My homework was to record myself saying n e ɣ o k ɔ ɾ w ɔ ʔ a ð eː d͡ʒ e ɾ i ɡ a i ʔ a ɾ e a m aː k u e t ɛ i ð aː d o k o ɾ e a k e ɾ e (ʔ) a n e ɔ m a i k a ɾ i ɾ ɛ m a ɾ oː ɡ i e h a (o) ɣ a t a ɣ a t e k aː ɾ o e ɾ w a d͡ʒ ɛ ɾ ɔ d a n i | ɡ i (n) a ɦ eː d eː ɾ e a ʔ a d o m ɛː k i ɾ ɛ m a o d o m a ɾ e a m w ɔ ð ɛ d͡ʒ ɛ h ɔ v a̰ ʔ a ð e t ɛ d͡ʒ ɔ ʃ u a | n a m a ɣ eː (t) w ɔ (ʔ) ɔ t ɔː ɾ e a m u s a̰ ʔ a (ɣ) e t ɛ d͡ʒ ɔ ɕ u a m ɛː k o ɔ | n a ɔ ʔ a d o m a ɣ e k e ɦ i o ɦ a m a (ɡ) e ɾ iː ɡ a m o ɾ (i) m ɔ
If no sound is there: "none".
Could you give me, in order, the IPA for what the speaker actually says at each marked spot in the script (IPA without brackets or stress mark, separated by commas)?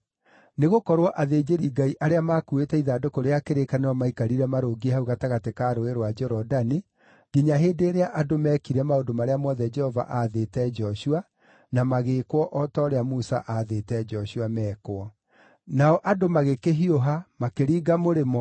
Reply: k, u, ɲ, k, ʔ, ð, k, e